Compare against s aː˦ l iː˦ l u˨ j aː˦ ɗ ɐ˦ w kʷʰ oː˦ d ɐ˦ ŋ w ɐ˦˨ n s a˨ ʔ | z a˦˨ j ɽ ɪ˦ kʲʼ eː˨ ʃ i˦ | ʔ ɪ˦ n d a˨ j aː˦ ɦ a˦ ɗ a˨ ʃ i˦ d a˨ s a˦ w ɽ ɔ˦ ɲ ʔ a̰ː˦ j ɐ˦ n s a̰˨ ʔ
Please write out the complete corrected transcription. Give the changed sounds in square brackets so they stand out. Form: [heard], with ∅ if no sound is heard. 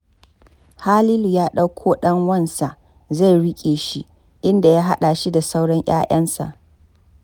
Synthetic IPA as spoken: [h] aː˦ l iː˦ l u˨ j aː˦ ɗ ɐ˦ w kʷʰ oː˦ [ɗ] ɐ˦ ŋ w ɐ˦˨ n s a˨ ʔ | z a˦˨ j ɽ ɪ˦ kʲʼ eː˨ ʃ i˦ | ʔ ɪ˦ n d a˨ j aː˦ ɦ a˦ ɗ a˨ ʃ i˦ d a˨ s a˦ w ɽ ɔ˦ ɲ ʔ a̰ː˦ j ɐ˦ n s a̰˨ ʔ